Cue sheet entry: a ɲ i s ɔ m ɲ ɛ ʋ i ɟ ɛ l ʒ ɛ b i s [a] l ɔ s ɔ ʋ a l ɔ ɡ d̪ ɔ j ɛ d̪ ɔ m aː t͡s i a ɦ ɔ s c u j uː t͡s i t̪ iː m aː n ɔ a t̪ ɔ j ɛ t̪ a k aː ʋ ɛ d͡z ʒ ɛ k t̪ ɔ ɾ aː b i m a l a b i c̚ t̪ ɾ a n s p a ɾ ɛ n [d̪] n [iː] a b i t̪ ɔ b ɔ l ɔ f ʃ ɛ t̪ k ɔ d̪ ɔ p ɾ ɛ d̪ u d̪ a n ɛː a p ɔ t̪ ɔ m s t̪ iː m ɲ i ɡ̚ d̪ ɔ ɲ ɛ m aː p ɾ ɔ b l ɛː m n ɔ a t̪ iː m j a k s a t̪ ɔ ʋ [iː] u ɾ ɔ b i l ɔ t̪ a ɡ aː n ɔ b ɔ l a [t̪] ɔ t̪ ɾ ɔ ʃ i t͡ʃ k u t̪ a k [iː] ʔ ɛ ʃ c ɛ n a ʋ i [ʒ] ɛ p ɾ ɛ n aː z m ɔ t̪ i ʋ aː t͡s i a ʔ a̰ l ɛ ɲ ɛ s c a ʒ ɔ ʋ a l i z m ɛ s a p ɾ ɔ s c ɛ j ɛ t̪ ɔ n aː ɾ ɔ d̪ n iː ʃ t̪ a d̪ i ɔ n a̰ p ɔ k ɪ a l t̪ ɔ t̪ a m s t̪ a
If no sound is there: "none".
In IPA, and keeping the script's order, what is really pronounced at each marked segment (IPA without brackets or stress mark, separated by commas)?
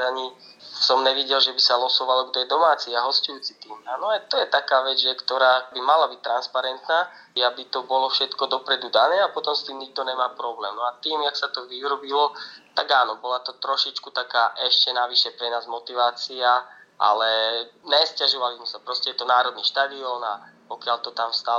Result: a, t̪, aː, i, t̪, aː, ʃ